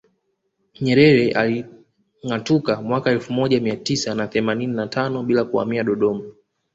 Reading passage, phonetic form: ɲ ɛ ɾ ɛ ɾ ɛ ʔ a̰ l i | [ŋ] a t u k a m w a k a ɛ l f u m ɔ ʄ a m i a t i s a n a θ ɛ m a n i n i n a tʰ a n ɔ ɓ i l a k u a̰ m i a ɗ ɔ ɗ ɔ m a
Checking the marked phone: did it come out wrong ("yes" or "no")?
no